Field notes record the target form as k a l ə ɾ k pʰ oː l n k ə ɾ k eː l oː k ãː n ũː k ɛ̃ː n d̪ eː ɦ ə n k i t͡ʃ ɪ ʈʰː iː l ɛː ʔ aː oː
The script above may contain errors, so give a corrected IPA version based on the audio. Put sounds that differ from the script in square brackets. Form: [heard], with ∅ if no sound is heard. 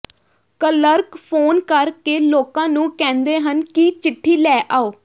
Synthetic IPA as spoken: k [ə] l ə ɾ k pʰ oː [∅] n k ə ɾ k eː l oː k ãː n ũː k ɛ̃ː n d̪ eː ɦ ə n k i t͡ʃ ɪ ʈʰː iː l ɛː ʔ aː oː

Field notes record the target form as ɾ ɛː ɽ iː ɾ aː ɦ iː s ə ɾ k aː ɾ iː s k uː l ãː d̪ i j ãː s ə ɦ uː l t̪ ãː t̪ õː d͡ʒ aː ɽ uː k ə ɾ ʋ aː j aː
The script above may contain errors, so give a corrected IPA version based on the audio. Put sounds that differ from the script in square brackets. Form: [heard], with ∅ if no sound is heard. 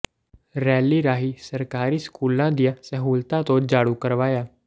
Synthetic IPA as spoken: ɾ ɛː [l] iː ɾ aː ɦ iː s ə ɾ k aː ɾ iː s k uː l ãː d̪ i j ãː s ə ɦ uː l t̪ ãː t̪ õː d͡ʒ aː ɽ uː k ə ɾ ʋ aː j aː

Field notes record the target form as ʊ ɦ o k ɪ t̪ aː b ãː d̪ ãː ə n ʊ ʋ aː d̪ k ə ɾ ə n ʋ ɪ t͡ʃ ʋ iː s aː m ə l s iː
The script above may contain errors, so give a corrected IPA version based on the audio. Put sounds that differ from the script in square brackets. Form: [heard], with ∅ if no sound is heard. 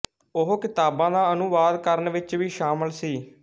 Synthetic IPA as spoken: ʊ ɦ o k ɪ t̪ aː b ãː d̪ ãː ə n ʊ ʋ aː d̪ k ə ɾ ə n ʋ ɪ t͡ʃ ʋ iː [ʃ] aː m ə l s iː

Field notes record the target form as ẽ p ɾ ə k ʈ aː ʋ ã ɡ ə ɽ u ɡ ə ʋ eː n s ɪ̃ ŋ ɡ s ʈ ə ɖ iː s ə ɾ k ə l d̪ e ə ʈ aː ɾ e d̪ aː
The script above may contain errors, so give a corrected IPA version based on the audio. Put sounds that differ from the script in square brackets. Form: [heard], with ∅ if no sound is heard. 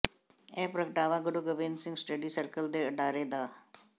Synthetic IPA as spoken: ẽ p ɾ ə k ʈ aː ʋ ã ɡ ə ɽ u ɡ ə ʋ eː n s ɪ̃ ŋ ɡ s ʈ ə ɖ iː s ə ɾ k ə l d̪ e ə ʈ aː ɾ e d̪ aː

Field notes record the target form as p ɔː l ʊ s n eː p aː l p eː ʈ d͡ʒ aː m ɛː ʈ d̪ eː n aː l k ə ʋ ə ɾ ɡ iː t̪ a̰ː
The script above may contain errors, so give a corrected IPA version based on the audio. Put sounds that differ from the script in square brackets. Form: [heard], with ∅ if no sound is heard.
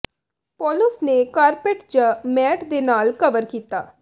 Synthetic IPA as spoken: p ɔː l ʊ s n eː [k] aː [ɾ] p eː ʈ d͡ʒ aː m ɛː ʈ d̪ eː n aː l k ə ʋ ə ɾ [k] iː t̪ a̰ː

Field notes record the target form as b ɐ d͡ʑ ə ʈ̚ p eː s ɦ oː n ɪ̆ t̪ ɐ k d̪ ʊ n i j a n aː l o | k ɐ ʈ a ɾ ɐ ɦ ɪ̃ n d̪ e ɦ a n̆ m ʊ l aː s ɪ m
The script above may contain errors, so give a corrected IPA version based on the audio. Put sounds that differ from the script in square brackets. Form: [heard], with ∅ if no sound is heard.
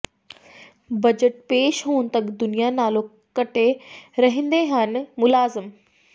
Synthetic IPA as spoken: b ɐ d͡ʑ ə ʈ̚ p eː [ʃ] ɦ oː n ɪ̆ t̪ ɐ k d̪ ʊ n i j a n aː l o | k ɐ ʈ [e] ɾ ɐ ɦ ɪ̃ n d̪ e ɦ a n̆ m ʊ l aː [z] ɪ m

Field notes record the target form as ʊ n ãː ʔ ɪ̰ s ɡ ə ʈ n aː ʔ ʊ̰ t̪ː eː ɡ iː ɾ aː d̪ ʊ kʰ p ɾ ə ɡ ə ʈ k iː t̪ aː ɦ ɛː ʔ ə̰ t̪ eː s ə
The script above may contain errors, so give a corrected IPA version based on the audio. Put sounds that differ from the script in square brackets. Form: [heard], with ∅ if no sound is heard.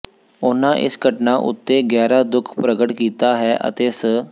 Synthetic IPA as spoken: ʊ n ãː ʔ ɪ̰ s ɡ ə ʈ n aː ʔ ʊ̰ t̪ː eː ɡ [ɛː] ɾ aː d̪ ʊ kʰ p ɾ ə ɡ ə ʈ k iː t̪ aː ɦ ɛː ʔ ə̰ t̪ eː s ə

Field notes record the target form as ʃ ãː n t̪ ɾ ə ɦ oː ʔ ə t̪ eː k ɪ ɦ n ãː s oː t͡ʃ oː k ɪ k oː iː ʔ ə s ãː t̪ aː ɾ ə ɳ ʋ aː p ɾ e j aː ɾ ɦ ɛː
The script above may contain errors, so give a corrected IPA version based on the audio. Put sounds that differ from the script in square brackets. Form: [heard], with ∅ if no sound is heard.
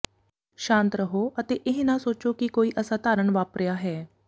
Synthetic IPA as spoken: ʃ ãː n t̪ ɾ ə ɦ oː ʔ ə t̪ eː [ʔ] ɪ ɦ n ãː s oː t͡ʃ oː k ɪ k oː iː ʔ ə s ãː t̪ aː ɾ ə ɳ ʋ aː p ɾ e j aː [∅] ɦ ɛː

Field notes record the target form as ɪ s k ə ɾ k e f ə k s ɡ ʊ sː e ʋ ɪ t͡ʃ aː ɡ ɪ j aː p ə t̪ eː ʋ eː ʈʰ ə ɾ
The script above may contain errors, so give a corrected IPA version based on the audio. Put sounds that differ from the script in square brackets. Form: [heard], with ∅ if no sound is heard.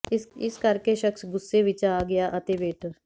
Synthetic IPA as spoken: ɪ s k ə ɾ k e [ʃ] ə k s ɡ ʊ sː e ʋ ɪ t͡ʃ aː ɡ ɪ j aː [ʔ] ə t̪ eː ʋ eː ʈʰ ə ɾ

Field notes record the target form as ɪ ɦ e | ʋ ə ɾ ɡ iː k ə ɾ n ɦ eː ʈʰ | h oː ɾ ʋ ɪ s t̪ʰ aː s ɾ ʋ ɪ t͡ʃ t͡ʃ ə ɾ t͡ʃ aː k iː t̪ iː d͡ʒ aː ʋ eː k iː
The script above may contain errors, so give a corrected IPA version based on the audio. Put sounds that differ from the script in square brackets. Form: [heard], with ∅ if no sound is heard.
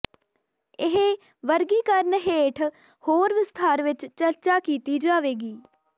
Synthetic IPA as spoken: ɪ ɦ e | ʋ ə ɾ ɡ iː k ə ɾ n ɦ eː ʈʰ | h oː ɾ ʋ ɪ s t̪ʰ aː [∅] ɾ ʋ ɪ t͡ʃ t͡ʃ ə ɾ t͡ʃ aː k iː t̪ iː d͡ʒ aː ʋ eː [ɡ] iː

